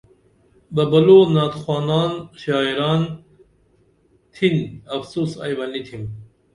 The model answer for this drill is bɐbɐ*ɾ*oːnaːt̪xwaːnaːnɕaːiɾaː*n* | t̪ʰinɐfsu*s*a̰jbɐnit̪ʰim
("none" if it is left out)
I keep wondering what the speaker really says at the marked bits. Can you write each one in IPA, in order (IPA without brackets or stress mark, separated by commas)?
l, n, s